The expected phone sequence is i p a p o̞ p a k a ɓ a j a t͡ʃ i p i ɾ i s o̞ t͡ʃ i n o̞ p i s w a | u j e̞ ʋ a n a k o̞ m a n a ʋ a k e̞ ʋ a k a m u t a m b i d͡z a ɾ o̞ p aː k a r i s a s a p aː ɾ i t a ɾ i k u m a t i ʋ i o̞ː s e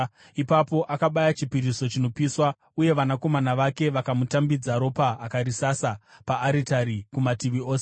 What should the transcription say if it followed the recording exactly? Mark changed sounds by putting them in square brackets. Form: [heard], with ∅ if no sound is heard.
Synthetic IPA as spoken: i p a p o̞ [ʔ] a k a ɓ a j a t͡ʃ i p i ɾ i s o̞ t͡ʃ i n o̞ p i s w a | u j e̞ ʋ a n a k o̞ m a n a ʋ a k e̞ ʋ a k a m u t a m b i d͡z a ɾ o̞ p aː k a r i s a s a p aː ɾ i t a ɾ i k u m a t i ʋ i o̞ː s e